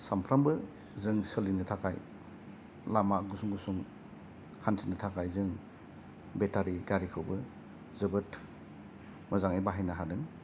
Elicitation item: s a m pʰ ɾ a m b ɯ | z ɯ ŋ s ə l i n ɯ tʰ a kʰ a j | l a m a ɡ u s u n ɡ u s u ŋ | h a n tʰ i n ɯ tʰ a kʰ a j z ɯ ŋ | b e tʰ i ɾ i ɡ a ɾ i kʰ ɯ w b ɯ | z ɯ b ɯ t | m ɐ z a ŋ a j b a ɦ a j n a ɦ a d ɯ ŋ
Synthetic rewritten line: s a m pʰ ɾ a m b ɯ | z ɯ ŋ s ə l i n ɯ tʰ a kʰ a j | l a m a ɡ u s u ŋ ɡ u s u ŋ | h a n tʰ i n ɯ tʰ a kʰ a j z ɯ ŋ | b e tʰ a ɾ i ɡ a ɾ i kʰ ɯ w b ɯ | z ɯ b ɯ t | m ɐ z a ŋ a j b a ɦ a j n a ɦ a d ɯ ŋ